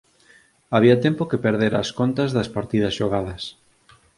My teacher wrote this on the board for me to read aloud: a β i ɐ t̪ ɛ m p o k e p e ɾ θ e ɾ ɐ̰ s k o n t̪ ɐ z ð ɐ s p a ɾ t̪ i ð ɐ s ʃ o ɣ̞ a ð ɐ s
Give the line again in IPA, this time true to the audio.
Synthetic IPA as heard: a β i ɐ t̪ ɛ m p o k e p e ɾ ð e ɾ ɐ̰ s k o n t̪ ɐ z ð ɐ s p a ɾ t̪ i ð ɐ s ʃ o ɣ̞ a ð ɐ s